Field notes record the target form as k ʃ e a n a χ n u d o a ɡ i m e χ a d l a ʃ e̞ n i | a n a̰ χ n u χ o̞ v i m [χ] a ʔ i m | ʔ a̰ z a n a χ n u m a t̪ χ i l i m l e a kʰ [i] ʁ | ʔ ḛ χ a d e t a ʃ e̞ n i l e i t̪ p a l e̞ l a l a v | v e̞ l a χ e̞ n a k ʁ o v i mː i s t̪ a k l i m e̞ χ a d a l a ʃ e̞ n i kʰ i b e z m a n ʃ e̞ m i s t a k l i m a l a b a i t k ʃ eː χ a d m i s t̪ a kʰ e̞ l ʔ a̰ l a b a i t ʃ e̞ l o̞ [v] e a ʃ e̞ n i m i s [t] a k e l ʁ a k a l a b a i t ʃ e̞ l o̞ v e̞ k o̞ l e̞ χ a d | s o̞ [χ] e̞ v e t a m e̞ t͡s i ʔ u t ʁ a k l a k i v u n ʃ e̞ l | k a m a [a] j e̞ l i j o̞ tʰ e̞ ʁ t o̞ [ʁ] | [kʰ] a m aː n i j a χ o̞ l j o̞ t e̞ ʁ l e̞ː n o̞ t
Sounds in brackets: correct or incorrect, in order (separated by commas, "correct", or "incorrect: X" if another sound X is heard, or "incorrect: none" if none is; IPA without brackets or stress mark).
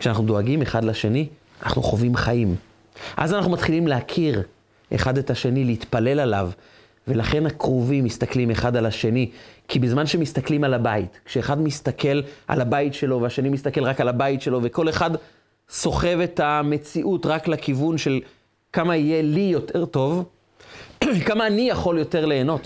correct, correct, correct, correct, correct, incorrect: i, incorrect: v, incorrect: k